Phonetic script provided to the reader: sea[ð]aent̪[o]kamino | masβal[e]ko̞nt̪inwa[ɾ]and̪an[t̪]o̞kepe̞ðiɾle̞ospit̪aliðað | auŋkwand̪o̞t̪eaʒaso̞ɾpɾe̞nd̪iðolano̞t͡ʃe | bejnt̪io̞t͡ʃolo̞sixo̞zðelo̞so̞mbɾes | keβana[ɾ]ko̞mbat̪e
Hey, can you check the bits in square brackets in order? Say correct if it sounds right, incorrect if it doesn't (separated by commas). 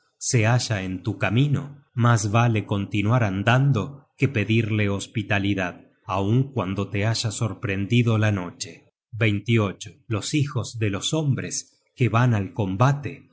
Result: incorrect, incorrect, correct, correct, incorrect, incorrect